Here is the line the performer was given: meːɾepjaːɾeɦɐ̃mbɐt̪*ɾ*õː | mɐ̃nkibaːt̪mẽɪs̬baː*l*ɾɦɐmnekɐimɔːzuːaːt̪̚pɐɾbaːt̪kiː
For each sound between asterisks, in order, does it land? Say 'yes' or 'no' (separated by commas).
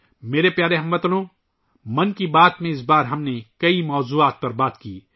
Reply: no, no